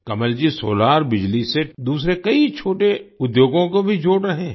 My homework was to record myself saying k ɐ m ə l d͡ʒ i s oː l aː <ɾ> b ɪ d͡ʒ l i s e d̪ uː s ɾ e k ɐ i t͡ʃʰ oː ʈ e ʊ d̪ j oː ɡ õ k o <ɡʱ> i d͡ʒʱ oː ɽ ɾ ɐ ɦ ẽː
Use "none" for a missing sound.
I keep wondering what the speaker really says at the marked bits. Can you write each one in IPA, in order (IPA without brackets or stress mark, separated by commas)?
ɾ, bʱ